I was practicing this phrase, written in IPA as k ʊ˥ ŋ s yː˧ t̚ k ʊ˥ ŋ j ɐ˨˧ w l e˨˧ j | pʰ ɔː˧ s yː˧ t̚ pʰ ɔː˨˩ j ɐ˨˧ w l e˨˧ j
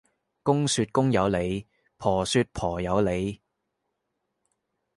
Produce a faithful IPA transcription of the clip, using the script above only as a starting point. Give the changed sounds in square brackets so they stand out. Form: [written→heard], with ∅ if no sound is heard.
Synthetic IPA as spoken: k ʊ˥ ŋ s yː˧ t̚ k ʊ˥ ŋ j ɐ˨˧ w l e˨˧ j | pʰ [ɔː˧→ɔː˨˩] s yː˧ t̚ pʰ ɔː˨˩ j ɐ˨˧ w l e˨˧ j